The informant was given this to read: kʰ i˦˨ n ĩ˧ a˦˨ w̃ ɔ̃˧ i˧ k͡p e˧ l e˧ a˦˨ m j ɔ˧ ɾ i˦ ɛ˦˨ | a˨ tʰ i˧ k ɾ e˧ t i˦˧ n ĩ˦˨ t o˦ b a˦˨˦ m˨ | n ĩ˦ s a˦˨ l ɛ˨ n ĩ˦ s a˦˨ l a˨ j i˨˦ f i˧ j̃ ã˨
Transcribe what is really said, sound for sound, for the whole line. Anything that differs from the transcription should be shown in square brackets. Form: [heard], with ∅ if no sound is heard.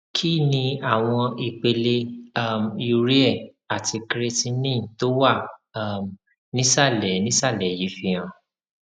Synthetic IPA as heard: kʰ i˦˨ n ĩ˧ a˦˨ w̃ ɔ̃˧ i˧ k͡p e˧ l e˧ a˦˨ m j [u˧] ɾ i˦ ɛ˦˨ | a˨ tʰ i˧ k ɾ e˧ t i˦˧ n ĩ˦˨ t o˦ [w] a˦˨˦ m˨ | n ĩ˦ s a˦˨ l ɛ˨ n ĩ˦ s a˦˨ l [ɛ˨] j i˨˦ f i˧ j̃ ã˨